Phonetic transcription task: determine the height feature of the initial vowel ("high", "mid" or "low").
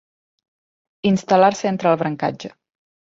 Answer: high